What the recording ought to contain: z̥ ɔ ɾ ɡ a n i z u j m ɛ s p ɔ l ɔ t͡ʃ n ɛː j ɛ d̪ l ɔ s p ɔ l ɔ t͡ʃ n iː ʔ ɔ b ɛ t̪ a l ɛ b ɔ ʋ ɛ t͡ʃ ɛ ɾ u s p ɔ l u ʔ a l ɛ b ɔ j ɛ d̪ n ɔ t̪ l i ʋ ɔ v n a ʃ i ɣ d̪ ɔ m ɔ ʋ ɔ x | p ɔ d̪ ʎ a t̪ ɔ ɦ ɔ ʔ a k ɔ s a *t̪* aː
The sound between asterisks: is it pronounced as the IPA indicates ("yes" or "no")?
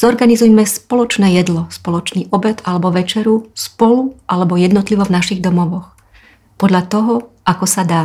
no